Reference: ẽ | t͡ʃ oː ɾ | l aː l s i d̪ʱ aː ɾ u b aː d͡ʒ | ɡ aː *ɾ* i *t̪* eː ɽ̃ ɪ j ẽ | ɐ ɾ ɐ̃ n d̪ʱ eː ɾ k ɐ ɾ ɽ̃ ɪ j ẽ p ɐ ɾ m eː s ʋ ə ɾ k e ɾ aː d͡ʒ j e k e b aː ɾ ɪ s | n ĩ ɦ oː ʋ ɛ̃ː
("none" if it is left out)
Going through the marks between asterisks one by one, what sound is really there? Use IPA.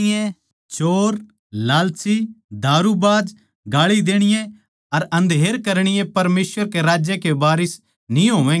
ɭ, d̪

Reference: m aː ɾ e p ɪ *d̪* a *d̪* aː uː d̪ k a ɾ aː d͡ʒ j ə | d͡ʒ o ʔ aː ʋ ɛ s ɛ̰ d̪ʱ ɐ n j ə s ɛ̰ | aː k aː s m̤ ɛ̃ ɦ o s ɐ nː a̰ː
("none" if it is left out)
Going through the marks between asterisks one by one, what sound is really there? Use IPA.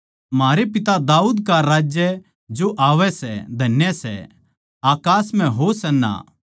t̪, d̪

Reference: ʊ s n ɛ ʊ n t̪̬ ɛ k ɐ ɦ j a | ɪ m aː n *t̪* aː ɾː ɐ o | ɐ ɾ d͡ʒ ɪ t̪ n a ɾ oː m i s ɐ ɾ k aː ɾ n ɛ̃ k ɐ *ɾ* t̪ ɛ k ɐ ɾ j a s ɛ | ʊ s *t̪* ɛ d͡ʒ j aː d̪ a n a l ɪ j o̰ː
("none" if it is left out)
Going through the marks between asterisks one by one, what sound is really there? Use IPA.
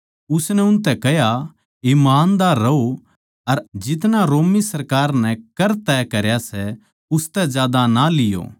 d̪, ɾ, t̪

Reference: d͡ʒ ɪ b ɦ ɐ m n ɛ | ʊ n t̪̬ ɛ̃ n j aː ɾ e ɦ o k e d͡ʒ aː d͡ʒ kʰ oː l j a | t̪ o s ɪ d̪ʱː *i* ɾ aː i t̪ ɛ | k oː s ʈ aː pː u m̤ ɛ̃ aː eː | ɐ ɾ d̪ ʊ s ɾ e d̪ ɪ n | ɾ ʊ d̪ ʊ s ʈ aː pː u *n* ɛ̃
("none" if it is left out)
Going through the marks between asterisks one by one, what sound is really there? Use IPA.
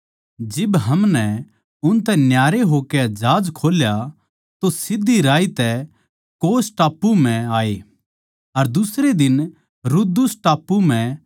i, m

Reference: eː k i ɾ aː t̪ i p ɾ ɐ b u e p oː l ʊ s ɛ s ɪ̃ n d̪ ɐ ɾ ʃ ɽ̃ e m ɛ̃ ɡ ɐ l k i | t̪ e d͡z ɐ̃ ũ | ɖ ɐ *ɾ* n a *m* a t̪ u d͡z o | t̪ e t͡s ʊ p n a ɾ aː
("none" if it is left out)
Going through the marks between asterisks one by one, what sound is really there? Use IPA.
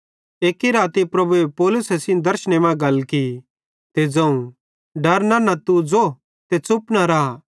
ɾ, n

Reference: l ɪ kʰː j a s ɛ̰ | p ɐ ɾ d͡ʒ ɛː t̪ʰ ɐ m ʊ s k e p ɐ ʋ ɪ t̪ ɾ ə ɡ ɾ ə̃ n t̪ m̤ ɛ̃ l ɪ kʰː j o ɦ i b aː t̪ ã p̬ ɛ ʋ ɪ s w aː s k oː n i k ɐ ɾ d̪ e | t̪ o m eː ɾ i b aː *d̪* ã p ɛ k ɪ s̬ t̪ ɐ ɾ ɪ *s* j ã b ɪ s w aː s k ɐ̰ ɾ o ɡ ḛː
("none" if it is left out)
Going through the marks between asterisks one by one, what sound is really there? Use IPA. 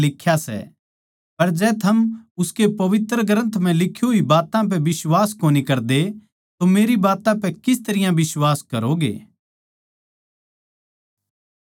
t̪, none

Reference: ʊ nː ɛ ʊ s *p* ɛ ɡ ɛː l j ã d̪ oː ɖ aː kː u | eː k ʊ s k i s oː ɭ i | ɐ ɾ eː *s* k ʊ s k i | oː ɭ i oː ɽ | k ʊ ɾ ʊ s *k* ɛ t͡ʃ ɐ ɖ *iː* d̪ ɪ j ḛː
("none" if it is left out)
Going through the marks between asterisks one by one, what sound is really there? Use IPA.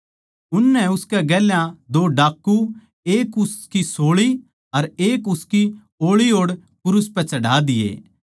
k, none, p, aː

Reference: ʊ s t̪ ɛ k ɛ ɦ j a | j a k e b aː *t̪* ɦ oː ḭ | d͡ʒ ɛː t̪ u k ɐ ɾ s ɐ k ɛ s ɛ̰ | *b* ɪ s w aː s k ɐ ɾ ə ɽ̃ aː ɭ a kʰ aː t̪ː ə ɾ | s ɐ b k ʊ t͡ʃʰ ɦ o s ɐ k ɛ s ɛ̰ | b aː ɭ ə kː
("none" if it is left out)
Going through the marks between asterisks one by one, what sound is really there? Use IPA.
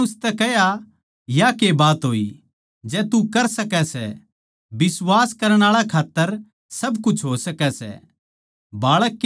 t̪, b

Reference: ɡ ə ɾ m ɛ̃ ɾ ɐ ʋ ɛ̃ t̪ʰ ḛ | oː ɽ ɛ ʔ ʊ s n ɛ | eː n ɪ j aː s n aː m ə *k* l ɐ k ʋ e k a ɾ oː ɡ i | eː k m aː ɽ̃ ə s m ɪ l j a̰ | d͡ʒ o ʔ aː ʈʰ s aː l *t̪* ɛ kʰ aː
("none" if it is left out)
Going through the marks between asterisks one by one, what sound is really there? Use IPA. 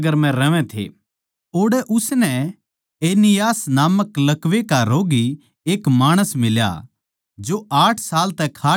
k, t̪

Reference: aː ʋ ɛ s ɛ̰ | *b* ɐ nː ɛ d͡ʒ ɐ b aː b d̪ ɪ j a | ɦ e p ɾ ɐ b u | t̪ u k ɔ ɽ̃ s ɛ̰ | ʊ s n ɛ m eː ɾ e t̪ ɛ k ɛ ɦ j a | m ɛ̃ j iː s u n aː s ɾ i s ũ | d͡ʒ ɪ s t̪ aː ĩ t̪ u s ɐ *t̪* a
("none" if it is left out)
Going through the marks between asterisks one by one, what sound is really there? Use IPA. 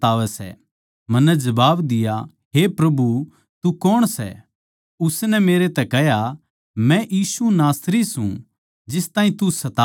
m, t̪

